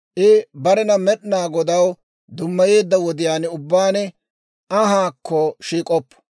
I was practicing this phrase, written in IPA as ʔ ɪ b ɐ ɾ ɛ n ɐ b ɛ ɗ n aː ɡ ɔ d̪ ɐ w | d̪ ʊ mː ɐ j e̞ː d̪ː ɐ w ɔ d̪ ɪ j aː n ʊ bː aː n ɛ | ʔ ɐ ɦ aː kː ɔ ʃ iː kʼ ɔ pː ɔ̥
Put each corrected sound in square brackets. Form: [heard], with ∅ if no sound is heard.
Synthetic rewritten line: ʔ ɪ b ɐ ɾ ɛ n ɐ [m] ɛ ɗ n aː ɡ ɔ d̪ ɐ w | d̪ ʊ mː ɐ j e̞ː d̪ː ɐ w ɔ d̪ ɪ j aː n ʊ bː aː n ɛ | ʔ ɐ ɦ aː kː ɔ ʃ iː kʼ ɔ pː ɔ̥